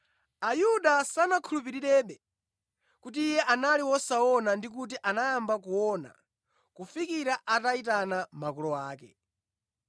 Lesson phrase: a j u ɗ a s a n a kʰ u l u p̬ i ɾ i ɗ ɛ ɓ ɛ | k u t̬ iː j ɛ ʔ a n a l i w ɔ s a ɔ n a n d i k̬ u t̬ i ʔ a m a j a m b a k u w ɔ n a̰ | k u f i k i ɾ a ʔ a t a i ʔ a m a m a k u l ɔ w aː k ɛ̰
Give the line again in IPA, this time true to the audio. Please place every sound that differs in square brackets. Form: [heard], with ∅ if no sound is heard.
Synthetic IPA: a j u ɗ a s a n a kʰ u l u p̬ i ɾ i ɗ ɛ ɓ ɛ | k u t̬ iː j ɛ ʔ a n a l i w ɔ s a ɔ n a n d i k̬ u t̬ i ʔ a [n] a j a m b a k u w ɔ n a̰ | k u f i k i ɾ a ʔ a t a i [t] a [n] a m a k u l ɔ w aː k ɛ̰